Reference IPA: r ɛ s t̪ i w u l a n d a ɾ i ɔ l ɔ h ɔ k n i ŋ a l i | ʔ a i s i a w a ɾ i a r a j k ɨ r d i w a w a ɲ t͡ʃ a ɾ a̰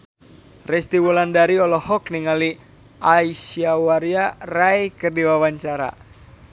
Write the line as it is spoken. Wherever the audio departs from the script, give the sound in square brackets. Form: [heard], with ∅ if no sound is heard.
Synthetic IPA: r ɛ s t̪ i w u l a n d a ɾ i ɔ l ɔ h ɔ k n i ŋ a l i | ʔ a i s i a w a ɾ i a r a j k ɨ r d i w a w a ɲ t͡ʃ a ɾ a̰

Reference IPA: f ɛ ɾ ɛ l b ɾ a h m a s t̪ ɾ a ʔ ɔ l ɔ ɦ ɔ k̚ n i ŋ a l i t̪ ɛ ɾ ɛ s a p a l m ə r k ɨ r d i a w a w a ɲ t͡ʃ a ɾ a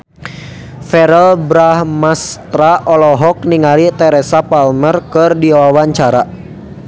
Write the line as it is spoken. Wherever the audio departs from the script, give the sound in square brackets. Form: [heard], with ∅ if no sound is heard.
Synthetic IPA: f ɛ ɾ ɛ l b ɾ a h m a s t̪ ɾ a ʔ ɔ l ɔ ɦ ɔ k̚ n i ŋ a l i t̪ ɛ ɾ ɛ s a p a l m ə r k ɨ r d i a w a w a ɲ t͡ʃ a ɾ a

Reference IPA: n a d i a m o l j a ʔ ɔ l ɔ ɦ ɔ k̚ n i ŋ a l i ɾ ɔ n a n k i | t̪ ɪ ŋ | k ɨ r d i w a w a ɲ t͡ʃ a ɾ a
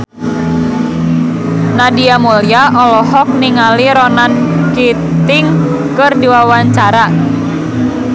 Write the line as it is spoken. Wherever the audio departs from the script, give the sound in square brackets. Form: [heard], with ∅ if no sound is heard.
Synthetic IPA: n a d i a m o l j a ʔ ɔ l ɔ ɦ ɔ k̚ n i ŋ a l i ɾ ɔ n a n k i | t̪ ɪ ŋ | k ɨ r d i w a w a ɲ t͡ʃ a ɾ a

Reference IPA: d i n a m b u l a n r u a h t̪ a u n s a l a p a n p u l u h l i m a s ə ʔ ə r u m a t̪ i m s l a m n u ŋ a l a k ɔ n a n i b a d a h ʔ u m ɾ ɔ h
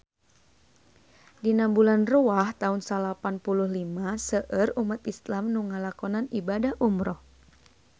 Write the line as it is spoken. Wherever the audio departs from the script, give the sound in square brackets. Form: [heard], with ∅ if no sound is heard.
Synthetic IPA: d i n a m b u l a n r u a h t̪ a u n s a l a p a n p u l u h l i m a s ə ʔ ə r u m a t̪ i [∅] s l a m n u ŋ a l a k ɔ n a n i b a d a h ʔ u m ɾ ɔ h

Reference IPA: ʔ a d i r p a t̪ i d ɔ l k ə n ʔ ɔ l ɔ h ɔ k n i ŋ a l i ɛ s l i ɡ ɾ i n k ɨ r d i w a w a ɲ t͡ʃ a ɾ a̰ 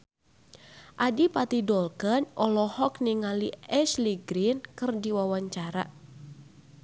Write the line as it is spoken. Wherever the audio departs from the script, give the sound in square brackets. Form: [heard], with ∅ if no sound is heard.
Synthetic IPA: ʔ a d i [∅] p a t̪ i d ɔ l k ə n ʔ ɔ l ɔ h ɔ k n i ŋ a l i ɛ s l i ɡ ɾ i n k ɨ r d i w a w a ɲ t͡ʃ a ɾ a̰

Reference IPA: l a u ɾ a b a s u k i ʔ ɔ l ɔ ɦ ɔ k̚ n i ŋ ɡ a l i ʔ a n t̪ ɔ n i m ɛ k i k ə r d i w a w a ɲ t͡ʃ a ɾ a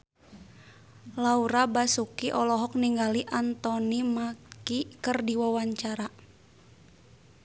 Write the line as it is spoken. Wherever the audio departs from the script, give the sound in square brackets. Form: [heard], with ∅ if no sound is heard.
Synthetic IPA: l a u ɾ a b a s u k i ʔ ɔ l ɔ ɦ ɔ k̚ n i ŋ ɡ a l i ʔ a n t̪ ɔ n i m [a] k i k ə r d i w a w a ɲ t͡ʃ a ɾ a

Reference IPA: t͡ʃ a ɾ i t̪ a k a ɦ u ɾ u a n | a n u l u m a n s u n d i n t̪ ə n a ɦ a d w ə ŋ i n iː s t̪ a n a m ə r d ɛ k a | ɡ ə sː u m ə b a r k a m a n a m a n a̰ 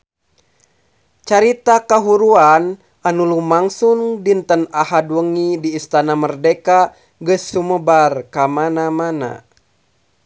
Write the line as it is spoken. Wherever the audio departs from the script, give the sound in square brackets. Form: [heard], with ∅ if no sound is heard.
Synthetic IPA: t͡ʃ a ɾ i t̪ a k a ɦ u ɾ u a n | a n u l u m a [ŋ] s u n d i n t̪ ə n a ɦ a d w ə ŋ i [d] iː s t̪ a n a m ə r d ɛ k a | ɡ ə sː u m ə b a r k a m a n a m a n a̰

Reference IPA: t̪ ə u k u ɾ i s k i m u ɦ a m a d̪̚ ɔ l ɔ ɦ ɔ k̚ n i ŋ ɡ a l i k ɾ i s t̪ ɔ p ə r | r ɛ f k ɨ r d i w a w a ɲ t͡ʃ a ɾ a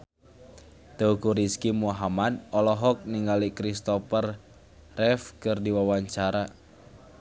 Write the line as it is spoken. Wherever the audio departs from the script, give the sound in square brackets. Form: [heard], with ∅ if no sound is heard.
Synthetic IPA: t̪ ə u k u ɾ i s k i m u ɦ a m a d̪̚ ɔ l ɔ ɦ ɔ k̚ n i ŋ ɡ a l i k ɾ i s t̪ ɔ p ə r | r ɛ f k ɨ r d i w a w a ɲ t͡ʃ a ɾ a

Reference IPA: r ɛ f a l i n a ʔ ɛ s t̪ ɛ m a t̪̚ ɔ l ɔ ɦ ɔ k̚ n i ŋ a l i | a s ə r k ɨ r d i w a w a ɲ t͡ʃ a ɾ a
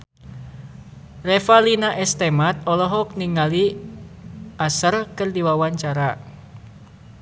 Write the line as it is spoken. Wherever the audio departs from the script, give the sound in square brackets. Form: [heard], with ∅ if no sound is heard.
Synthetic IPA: r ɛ f a l i n a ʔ ɛ s t̪ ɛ m a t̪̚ ɔ l ɔ ɦ ɔ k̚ n i ŋ a l i | a s ə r k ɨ r d i w a w a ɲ t͡ʃ a ɾ a

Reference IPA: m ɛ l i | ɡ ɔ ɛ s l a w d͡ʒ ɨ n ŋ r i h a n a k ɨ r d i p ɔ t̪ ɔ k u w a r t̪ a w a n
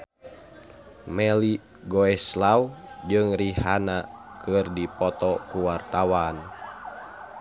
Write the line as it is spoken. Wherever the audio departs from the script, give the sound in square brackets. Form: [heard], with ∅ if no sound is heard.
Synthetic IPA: m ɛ l i | ɡ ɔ ɛ s l a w d͡ʒ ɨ [∅] ŋ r i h a n a k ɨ r d i p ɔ t̪ ɔ k u w a r t̪ a w a n

